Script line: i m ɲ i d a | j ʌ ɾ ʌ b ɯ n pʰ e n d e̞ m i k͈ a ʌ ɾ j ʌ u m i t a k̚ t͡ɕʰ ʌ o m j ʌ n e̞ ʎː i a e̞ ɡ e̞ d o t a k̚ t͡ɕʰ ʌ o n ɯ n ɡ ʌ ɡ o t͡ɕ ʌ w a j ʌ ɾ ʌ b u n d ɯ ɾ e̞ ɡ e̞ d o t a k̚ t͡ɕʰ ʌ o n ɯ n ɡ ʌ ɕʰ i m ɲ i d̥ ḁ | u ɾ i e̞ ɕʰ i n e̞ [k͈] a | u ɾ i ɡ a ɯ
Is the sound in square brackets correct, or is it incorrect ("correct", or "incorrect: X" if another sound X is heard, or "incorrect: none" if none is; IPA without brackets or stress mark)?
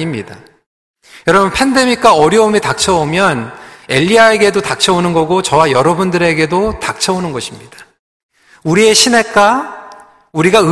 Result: correct